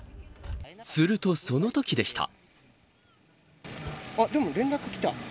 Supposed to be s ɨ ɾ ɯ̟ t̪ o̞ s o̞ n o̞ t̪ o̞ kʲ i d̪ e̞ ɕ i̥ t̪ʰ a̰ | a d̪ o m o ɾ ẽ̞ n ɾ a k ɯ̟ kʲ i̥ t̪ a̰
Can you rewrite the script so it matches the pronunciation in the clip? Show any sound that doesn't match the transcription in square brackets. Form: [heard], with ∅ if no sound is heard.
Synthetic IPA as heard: s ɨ ɾ ɯ̟ t̪ o̞ s o̞ n o̞ t̪ o̞ kʲ i d̪ e̞ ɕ i̥ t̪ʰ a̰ | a d̪ o m o ɾ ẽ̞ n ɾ a k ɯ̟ kʲ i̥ t̪ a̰